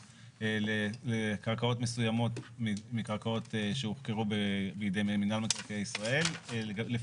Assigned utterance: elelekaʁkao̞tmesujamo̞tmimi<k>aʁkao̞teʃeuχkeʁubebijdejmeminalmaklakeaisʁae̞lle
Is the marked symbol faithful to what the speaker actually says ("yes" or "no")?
yes